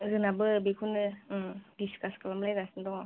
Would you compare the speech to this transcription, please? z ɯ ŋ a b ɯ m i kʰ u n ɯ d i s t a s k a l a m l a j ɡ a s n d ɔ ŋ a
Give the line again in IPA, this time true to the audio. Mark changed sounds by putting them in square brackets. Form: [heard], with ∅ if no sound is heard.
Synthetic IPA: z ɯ [n] a b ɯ [b] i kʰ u n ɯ d i s [k] a s k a l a m l a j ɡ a s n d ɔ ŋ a